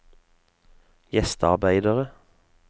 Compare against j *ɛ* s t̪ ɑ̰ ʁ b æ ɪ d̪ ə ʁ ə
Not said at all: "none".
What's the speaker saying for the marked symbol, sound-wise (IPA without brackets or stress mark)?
ɛ